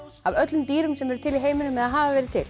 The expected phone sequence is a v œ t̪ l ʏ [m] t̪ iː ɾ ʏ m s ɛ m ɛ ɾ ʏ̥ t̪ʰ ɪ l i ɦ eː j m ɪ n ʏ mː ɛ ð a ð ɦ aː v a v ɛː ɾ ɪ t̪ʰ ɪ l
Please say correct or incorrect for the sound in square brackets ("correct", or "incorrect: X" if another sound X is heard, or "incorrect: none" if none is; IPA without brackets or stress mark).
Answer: correct